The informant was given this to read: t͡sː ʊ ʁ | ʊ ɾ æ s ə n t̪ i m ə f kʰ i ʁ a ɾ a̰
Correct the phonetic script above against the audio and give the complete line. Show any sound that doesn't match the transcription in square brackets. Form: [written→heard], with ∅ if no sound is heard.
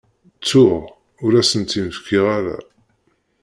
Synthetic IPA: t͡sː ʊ ʁ | ʊ ɾ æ s ə n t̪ i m ə f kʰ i ʁ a ɾ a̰